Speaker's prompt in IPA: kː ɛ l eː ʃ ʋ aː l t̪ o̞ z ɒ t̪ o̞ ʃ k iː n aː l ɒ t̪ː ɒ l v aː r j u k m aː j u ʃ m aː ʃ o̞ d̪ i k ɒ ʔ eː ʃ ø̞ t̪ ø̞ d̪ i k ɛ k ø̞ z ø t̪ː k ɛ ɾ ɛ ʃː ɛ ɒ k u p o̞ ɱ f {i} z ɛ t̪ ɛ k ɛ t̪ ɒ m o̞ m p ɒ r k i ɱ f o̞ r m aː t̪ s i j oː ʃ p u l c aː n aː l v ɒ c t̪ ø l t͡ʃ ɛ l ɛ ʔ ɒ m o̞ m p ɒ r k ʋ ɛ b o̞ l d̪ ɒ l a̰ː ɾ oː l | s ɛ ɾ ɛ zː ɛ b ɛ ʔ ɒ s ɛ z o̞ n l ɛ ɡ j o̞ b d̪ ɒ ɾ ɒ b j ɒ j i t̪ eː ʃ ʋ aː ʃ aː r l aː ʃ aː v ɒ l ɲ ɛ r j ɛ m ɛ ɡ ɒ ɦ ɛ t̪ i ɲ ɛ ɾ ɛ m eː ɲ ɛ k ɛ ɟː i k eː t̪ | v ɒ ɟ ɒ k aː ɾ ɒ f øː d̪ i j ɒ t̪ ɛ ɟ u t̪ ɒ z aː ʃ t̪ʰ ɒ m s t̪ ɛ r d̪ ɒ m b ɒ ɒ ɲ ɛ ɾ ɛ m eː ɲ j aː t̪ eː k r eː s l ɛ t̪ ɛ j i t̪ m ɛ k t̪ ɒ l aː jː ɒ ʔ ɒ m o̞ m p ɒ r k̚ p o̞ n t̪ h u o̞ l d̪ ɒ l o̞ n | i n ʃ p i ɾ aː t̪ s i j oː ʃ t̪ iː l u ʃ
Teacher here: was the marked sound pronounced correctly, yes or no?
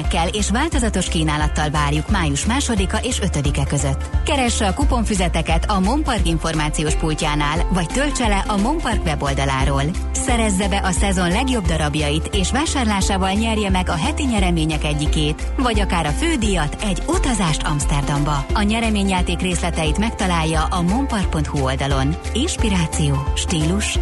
no